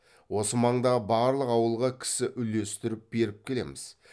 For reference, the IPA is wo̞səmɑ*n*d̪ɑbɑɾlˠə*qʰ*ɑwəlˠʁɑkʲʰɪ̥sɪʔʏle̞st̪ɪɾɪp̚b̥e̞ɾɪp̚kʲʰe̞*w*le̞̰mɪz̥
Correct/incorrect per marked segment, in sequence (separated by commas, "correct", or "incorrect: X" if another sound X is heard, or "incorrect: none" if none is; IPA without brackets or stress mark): incorrect: ɴ, incorrect: q, incorrect: none